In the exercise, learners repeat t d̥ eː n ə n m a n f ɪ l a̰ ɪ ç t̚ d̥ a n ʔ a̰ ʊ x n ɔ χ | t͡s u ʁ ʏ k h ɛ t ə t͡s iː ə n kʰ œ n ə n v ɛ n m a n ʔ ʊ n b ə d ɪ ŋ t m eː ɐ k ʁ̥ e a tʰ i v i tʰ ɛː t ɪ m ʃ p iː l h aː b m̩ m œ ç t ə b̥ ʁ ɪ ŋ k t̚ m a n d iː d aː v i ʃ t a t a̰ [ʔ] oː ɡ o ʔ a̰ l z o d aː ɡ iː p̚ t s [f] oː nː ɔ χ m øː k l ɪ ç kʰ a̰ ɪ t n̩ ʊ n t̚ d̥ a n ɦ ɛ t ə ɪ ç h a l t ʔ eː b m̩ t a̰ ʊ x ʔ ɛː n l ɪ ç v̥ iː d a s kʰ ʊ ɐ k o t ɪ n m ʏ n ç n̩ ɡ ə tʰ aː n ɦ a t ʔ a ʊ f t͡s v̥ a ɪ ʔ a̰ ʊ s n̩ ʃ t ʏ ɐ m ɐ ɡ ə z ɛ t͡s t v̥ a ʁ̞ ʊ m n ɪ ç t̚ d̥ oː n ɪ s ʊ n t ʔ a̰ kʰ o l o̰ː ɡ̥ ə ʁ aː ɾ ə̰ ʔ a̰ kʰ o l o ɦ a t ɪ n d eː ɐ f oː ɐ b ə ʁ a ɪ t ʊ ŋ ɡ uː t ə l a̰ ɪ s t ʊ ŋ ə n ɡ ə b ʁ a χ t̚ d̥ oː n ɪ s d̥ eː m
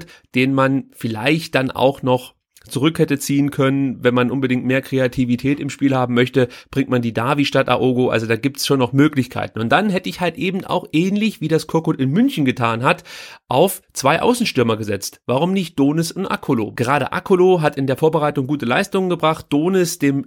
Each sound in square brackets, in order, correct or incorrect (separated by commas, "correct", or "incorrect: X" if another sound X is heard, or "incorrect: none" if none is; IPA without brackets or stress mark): correct, incorrect: ʃ